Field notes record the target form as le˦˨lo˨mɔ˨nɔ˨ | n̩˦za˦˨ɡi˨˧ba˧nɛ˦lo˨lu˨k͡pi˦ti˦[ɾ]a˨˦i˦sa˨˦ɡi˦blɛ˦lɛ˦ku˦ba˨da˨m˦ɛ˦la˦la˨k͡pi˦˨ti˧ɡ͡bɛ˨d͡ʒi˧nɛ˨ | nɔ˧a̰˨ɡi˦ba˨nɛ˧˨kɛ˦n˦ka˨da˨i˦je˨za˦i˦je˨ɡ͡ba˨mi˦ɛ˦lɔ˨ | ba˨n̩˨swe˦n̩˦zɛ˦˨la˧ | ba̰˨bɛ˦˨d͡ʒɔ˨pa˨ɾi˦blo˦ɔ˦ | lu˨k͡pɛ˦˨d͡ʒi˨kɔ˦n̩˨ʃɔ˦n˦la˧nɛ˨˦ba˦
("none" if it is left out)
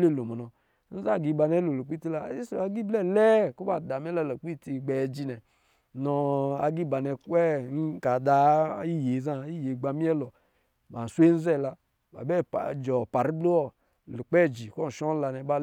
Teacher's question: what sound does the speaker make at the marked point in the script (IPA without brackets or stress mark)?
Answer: l